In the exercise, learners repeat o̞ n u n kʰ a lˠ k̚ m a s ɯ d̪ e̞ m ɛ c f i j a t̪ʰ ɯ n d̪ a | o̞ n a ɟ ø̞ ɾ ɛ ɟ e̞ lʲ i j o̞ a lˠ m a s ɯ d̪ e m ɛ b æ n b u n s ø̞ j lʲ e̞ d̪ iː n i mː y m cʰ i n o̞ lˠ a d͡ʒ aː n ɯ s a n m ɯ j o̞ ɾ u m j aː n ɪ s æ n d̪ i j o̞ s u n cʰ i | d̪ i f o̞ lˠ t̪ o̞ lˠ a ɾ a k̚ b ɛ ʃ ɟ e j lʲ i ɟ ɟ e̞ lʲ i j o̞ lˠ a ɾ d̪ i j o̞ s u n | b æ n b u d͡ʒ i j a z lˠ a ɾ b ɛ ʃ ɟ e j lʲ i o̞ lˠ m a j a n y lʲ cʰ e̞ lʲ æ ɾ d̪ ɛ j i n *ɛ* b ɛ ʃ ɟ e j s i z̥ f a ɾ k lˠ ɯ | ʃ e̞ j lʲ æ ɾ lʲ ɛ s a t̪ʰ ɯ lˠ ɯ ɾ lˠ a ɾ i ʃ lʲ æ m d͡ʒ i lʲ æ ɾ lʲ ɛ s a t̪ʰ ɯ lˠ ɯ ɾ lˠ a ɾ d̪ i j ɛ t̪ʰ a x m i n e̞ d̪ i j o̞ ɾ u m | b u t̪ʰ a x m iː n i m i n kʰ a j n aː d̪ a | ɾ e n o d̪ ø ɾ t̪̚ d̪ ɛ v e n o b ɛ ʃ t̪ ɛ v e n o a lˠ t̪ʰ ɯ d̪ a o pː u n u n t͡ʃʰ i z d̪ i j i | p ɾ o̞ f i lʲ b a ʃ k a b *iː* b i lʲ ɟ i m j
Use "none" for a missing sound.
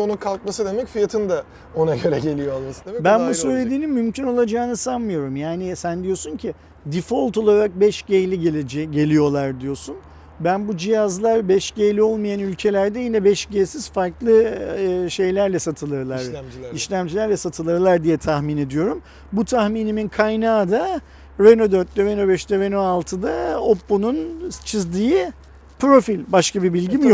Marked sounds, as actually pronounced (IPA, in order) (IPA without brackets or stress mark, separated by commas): ɛ, i